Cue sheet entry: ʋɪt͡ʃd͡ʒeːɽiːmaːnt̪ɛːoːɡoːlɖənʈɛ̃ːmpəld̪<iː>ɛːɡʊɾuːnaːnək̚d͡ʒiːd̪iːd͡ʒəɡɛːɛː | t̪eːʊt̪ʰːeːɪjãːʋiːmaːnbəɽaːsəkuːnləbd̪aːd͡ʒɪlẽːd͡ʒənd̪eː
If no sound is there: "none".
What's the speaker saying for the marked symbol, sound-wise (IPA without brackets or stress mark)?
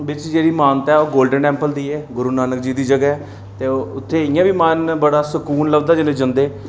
iː